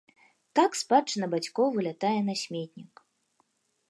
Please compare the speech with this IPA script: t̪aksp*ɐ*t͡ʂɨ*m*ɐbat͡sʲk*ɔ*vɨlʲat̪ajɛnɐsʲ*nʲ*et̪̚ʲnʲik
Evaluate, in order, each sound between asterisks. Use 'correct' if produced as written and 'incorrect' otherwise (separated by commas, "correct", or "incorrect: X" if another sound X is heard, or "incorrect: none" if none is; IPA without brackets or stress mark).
incorrect: a, incorrect: n, correct, incorrect: mʲ